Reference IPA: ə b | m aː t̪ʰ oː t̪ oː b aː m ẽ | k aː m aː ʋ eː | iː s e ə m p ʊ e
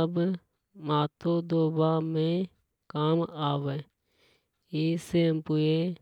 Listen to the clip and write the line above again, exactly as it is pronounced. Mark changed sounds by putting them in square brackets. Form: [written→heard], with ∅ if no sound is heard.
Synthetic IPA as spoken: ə b | m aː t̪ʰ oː [t̪→d̪] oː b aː m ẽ | k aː m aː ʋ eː | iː s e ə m p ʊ e

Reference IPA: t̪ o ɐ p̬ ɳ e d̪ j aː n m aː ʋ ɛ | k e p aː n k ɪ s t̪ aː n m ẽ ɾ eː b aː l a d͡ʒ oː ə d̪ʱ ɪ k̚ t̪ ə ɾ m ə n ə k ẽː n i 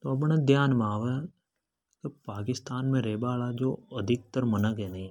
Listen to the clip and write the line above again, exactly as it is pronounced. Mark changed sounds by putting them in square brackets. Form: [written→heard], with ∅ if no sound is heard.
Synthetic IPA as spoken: t̪ o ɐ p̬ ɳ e d̪ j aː n m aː ʋ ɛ | k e p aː [n→∅] k ɪ s t̪ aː n m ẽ ɾ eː b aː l a d͡ʒ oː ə d̪ʱ ɪ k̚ t̪ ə ɾ m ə n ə k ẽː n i

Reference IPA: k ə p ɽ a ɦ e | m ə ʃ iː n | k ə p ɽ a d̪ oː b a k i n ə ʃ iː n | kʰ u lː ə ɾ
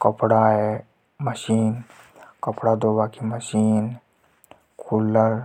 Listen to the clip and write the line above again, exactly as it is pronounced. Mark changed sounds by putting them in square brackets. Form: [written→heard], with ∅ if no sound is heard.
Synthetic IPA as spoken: k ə p ɽ a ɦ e | m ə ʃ iː n | k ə p ɽ a d̪ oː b a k i [n→m] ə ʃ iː n | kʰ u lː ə ɾ

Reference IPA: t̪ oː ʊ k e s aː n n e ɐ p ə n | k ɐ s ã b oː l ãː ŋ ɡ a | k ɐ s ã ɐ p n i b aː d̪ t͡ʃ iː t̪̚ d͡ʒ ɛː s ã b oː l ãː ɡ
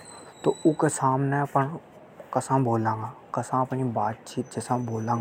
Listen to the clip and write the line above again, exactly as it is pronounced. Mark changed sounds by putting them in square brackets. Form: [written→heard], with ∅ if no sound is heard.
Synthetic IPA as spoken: t̪ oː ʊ k e s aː [n→m] n e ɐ p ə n | k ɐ s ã b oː l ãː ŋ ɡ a | k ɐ s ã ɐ p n i b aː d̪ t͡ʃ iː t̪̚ d͡ʒ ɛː s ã b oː l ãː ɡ

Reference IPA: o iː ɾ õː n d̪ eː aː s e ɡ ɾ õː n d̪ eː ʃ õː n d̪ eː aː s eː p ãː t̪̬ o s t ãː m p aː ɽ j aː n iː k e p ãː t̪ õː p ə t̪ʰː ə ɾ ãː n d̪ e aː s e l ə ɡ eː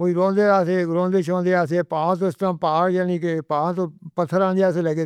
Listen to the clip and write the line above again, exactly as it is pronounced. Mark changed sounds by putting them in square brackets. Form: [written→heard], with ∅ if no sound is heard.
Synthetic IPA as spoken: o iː ɾ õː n d̪ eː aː s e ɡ ɾ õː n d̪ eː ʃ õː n d̪ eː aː s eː p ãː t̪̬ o s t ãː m p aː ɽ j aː n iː k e p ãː t̪ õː p ə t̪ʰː ə ɾ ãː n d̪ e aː s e l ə ɡ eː

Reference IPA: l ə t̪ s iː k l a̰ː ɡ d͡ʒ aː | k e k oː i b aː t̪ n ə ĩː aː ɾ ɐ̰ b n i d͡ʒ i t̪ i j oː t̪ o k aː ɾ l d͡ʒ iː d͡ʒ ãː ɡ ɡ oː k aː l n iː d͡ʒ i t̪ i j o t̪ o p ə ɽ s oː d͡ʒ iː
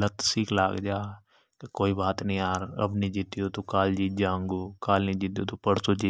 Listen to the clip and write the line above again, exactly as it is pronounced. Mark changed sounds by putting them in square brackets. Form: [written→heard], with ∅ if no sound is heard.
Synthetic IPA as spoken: l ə t̪ s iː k l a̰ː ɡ d͡ʒ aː | k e k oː i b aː t̪ n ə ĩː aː ɾ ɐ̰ b n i d͡ʒ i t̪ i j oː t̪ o k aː [ɾ→∅] l d͡ʒ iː d͡ʒ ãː [ɡ→ŋ] ɡ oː k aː l n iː d͡ʒ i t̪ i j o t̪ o p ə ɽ s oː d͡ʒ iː

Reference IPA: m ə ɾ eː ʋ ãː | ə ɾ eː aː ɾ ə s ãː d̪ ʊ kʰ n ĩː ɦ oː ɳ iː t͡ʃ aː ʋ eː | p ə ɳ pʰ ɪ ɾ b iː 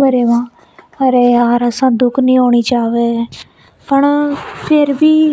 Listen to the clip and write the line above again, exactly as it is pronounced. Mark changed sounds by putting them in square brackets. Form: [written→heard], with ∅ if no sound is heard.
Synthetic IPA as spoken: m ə ɾ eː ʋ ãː | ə ɾ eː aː ɾ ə s ãː d̪ ʊ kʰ n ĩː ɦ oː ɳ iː t͡ʃ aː ʋ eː | p ə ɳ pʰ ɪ ɾ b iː

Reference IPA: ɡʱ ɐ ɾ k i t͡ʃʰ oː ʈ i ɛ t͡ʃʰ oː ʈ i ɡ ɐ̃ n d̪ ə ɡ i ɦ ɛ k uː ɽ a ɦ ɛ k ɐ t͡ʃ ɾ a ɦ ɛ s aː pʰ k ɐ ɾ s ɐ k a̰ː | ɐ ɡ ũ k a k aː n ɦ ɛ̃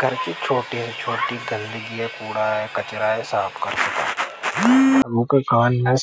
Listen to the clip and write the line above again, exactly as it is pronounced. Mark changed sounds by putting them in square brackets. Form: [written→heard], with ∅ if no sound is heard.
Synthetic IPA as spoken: ɡʱ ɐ ɾ k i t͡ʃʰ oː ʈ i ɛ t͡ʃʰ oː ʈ i ɡ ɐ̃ n d̪ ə ɡ i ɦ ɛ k uː ɽ a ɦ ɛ k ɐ t͡ʃ ɾ a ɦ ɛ s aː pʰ k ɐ ɾ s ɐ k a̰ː | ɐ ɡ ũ k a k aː n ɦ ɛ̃

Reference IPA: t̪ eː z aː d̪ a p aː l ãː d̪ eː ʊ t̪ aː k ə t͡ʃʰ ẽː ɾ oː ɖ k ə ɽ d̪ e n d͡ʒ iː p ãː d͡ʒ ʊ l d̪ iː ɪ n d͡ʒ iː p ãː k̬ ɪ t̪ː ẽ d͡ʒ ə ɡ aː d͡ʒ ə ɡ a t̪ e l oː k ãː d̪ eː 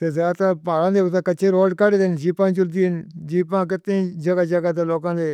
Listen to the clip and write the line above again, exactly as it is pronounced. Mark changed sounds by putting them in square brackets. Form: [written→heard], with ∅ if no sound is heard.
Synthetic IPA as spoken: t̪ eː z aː [d̪→t̪] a p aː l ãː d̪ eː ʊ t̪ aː k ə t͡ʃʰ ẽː ɾ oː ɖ k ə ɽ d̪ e n d͡ʒ iː p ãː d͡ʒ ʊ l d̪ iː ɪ n d͡ʒ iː p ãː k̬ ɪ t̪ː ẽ d͡ʒ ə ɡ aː d͡ʒ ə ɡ a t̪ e l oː k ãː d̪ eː

